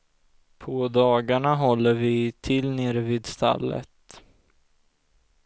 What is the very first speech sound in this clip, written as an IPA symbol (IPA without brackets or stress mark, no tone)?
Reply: pʰ